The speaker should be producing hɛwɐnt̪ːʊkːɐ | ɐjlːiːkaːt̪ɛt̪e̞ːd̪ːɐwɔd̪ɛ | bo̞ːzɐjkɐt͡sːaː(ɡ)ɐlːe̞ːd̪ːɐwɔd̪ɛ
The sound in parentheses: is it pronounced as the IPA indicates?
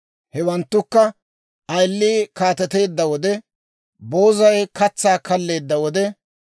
no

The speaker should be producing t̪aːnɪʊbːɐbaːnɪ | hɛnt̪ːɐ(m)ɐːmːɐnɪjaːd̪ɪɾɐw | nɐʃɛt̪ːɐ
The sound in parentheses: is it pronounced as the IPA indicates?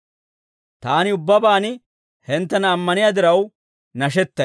no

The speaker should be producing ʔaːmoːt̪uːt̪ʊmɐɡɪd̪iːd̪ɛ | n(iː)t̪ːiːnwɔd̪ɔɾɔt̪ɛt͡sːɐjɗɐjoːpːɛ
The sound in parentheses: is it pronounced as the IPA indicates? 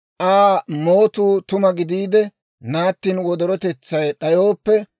no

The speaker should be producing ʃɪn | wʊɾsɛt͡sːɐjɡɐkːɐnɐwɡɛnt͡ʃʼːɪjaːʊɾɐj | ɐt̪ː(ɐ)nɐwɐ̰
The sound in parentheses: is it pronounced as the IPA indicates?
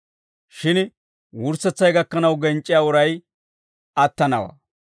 yes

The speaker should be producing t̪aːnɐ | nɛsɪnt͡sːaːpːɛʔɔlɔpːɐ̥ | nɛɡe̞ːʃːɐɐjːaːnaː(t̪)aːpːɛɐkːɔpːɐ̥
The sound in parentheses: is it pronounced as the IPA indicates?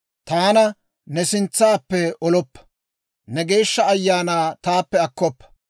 yes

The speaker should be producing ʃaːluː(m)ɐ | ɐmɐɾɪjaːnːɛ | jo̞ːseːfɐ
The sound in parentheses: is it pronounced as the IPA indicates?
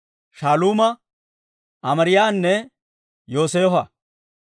yes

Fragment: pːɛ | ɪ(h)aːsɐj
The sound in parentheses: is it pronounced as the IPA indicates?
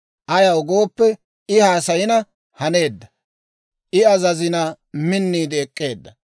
yes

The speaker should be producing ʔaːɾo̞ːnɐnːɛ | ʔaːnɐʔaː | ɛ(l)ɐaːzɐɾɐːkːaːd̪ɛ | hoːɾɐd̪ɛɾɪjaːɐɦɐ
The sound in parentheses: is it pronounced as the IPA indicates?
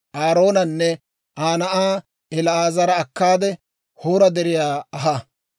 yes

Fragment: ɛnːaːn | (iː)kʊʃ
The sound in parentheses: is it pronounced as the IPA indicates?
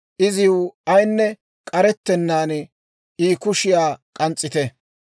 yes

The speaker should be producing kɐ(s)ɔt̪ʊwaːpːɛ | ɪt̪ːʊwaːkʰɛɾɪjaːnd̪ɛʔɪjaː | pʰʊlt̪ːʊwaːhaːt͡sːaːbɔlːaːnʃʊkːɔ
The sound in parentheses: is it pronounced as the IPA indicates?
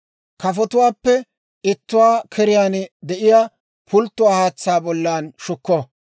no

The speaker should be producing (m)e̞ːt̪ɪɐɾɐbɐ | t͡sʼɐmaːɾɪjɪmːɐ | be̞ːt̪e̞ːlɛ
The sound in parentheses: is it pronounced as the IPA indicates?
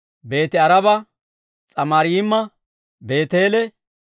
no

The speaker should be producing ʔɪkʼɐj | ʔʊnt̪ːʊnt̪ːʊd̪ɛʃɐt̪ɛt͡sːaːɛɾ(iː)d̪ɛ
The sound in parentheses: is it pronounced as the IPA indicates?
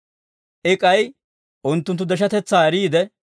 yes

